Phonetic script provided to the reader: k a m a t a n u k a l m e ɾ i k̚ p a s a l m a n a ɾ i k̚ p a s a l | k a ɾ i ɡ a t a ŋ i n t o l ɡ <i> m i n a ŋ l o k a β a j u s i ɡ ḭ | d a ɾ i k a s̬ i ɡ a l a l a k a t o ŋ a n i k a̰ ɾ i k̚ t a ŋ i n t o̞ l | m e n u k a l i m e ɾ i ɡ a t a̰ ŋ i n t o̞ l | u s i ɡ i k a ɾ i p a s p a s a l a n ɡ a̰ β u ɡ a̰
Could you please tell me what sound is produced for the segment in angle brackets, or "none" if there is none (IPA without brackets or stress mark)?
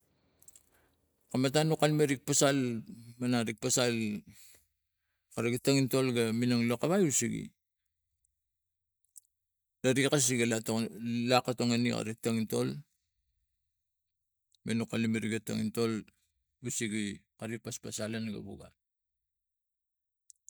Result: a